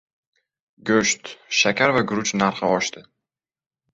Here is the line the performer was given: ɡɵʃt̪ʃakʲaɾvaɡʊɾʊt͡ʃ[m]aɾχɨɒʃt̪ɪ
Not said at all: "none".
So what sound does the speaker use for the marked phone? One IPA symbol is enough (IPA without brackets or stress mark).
n